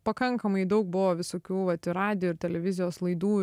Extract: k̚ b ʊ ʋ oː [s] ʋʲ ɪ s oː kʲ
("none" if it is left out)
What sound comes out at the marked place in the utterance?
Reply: none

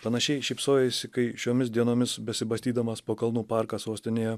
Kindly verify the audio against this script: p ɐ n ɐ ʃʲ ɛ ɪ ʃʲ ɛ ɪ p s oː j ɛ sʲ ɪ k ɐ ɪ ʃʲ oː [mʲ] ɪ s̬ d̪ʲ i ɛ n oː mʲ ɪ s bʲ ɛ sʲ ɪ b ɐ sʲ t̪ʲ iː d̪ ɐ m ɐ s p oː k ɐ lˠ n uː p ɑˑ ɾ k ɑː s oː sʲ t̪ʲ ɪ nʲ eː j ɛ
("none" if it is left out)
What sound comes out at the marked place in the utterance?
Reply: mʲ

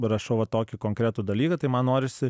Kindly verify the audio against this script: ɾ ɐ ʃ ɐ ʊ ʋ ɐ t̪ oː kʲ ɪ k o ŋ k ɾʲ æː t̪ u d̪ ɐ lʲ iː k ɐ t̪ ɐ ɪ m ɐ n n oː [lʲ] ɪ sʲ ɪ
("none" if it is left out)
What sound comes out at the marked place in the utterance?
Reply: ɾʲ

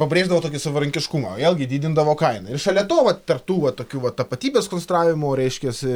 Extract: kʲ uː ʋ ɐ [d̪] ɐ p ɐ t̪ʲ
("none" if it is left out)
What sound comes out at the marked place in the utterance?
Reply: t̪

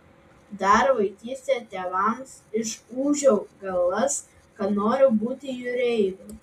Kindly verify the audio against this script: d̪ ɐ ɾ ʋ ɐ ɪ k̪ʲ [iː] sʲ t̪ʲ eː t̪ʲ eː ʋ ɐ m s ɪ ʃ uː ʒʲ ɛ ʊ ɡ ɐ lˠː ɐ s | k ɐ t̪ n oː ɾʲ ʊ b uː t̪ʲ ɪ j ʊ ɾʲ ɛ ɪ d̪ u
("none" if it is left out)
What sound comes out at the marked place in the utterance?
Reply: iː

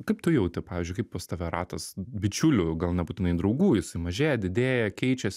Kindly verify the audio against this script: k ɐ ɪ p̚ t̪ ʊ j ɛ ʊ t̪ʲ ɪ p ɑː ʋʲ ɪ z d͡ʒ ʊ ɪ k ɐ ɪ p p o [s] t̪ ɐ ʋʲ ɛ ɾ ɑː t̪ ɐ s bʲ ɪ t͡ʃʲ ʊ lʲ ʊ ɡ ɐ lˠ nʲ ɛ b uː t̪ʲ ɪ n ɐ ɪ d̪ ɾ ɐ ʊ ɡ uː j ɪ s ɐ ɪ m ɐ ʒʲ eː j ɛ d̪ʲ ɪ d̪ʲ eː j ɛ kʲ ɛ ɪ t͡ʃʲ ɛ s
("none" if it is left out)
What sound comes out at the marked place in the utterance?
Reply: s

